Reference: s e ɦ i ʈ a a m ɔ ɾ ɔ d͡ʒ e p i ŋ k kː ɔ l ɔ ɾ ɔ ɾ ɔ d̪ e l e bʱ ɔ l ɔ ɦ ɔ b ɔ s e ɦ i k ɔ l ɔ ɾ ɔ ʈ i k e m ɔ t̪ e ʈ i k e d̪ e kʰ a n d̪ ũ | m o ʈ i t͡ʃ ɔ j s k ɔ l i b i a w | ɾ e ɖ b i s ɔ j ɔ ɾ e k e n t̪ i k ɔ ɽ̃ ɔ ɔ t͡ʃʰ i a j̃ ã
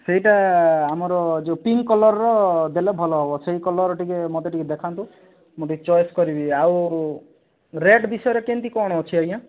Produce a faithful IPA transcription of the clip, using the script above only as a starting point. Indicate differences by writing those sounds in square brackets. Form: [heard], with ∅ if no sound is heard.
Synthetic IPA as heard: s e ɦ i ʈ a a m ɔ ɾ ɔ d͡ʒ e p i ŋ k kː ɔ l ɔ ɾ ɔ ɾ ɔ d̪ e l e bʱ ɔ l ɔ ɦ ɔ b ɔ s e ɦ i k ɔ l ɔ ɾ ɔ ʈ i k e m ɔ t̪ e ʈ i k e d̪ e kʰ a n [t̪] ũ | m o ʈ i t͡ʃ ɔ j s k ɔ [ɾ] i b i a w | ɾ e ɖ b i s ɔ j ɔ ɾ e k e n t̪ i k ɔ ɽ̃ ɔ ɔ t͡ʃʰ i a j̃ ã